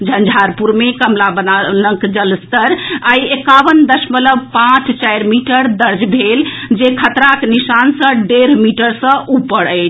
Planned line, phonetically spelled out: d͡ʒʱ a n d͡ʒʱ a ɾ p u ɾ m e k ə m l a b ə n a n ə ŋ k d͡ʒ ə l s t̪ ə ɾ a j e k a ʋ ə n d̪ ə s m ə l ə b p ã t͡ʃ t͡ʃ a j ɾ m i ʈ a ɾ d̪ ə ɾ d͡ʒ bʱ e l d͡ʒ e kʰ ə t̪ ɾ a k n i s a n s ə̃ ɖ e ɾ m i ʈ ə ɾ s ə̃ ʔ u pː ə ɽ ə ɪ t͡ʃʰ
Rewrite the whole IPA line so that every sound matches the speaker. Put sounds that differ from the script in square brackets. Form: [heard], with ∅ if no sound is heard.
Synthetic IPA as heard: d͡ʒʱ [ə] n d͡ʒʱ a ɾ p u ɾ m e k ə m l a b ə n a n ə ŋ k d͡ʒ ə l s t̪ ə ɾ a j e k a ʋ ə n d̪ ə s m ə l ə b p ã t͡ʃ t͡ʃ a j ɾ m i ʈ [ə] ɾ d̪ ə ɾ d͡ʒ bʱ e l d͡ʒ e kʰ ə t̪ ɾ a k n i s a n s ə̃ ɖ e ɾ m i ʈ ə ɾ s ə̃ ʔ u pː ə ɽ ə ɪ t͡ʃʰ